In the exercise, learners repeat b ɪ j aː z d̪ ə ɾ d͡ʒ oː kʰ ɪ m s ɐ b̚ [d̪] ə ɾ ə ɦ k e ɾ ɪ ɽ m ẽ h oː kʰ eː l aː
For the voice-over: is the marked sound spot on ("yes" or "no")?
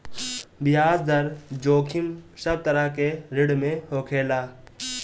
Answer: no